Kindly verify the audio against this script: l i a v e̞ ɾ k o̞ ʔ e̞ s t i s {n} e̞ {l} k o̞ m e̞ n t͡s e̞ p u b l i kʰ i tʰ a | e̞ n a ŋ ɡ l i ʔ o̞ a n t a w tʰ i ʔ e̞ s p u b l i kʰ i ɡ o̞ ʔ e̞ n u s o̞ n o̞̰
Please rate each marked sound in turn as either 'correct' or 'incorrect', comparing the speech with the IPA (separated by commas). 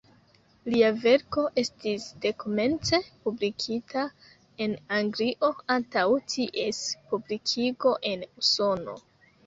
incorrect, incorrect